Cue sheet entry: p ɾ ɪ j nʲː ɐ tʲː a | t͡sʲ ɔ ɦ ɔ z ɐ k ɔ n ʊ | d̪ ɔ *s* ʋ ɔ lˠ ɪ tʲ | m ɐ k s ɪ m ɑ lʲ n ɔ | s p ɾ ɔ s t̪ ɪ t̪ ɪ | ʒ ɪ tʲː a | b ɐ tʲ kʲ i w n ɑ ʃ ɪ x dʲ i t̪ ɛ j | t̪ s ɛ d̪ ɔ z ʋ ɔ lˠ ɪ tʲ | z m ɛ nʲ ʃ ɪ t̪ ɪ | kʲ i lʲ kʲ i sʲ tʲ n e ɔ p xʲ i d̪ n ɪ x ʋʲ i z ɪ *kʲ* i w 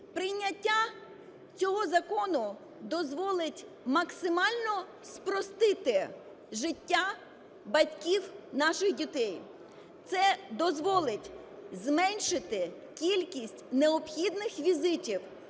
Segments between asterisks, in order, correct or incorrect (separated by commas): incorrect, incorrect